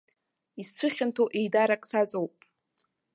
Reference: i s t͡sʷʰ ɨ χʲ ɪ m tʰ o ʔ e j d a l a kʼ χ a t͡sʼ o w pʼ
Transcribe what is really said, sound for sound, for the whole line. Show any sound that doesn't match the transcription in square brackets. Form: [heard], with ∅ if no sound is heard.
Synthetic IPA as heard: i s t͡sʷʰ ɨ χʲ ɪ [n] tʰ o ʔ e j d a [ɾ] a kʼ [s] a t͡sʼ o w pʼ

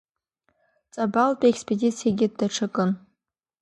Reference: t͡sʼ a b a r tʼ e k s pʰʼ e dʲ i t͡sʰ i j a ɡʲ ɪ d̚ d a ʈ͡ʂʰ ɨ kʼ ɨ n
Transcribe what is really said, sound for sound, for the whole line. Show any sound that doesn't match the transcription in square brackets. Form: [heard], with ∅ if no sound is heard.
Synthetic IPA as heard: t͡sʼ a b a [l] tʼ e k s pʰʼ e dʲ i t͡sʰ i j a ɡʲ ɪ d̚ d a ʈ͡ʂʰ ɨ kʼ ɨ n

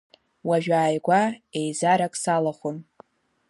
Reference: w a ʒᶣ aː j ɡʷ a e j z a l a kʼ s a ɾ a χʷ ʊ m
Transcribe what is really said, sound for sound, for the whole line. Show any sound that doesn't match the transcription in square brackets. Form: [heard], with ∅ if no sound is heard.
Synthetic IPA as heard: w a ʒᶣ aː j ɡʷ a e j z a [ɾ] a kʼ s a [l] a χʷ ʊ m

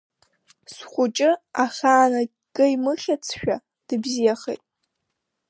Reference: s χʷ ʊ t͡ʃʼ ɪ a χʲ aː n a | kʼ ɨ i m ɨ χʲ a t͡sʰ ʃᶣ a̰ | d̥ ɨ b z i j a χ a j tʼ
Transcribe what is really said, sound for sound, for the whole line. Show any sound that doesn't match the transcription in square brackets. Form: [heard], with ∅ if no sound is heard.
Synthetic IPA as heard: s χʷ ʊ t͡ʃʼ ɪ a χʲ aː n a | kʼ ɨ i m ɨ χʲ a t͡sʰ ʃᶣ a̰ | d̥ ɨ b z i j a χ [e] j tʼ

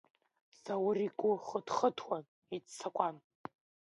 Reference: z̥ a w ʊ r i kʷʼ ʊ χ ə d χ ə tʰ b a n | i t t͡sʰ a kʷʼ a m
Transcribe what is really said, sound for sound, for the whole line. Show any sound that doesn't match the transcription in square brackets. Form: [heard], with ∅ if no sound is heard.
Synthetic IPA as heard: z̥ a w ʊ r i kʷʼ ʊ χ ə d χ ə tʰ [w] a n | i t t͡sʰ a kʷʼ a [n]

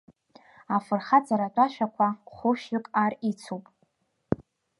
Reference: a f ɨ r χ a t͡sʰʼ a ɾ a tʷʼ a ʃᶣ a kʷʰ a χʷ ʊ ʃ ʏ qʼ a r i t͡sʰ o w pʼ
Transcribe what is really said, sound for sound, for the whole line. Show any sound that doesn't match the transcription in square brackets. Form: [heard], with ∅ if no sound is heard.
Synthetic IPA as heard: a f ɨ r χ a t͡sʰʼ a ɾ a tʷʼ a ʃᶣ a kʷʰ a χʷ ʊ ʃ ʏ [kʼ] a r i t͡sʰ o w pʼ

